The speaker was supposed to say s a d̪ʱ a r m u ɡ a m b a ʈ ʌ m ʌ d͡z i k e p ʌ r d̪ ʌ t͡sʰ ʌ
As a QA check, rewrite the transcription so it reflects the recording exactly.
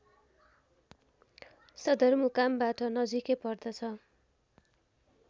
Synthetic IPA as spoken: s ʌ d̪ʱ ʌ r m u k a m b a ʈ ʌ n ʌ d͡z i k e p ʌ r d̪ ʌ t͡sʰ ʌ